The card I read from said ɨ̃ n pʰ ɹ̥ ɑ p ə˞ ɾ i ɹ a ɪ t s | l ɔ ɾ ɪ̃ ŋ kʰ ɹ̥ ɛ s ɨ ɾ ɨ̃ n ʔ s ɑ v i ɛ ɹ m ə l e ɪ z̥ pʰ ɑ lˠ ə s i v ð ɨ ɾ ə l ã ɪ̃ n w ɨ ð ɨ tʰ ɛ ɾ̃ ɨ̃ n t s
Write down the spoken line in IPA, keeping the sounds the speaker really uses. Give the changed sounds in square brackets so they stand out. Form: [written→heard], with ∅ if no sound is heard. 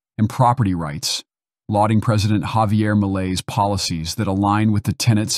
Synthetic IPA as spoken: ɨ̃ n pʰ ɹ̥ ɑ p ə˞ ɾ i ɹ a ɪ t s | l ɔ ɾ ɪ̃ ŋ [kʰ→pʰ] ɹ̥ ɛ [s→z] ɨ ɾ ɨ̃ n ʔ [s→h] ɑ v i ɛ ɹ m ə l e ɪ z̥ pʰ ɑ lˠ ə s i [v→z] ð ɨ ɾ ə l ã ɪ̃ n w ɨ ð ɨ tʰ ɛ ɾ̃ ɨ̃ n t s